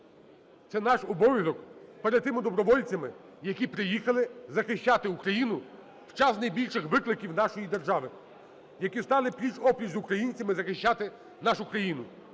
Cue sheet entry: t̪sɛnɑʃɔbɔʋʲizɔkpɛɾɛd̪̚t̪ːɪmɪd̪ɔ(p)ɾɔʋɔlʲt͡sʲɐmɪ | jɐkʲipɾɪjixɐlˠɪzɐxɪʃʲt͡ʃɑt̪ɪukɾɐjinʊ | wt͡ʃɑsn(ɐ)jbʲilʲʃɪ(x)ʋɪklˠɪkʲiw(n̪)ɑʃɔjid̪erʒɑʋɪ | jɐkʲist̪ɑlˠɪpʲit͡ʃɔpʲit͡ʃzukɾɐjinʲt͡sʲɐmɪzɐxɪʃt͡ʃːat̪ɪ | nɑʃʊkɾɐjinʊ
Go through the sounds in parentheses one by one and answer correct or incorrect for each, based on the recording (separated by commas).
incorrect, correct, correct, correct